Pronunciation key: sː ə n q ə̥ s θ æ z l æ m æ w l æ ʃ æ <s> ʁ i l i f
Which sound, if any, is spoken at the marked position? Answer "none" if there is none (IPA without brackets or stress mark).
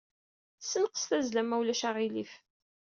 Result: none